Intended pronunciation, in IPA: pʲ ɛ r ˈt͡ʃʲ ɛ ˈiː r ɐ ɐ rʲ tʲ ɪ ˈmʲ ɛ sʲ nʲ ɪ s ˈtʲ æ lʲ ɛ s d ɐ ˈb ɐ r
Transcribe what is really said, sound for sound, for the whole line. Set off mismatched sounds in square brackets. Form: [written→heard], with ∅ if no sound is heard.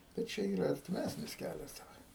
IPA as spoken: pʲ ɛ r ˈt͡ʃʲ ɛ ˈiː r ɐ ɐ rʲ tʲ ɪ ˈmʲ [ɛ→æ] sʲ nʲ ɪ s [ˈtʲ→ˈkʲ] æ lʲ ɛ s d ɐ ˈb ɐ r